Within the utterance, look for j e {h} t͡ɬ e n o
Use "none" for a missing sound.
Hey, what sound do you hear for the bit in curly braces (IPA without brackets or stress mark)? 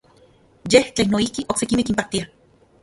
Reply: h